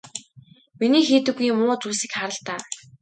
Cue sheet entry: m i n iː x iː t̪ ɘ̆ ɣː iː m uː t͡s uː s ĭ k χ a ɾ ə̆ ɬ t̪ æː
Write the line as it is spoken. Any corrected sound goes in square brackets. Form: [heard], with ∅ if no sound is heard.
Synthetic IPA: m i n iː x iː t̪ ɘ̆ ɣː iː m [ʊː] t͡s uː s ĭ k χ a ɾ ə̆ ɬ t̪ [aː]